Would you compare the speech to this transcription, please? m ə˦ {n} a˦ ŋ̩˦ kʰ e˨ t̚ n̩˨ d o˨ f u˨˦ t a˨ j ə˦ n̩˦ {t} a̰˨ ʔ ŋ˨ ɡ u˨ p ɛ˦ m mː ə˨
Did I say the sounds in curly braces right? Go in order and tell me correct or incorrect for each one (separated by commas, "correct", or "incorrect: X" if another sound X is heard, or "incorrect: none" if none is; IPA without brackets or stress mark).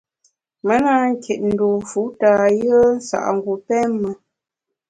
correct, incorrect: s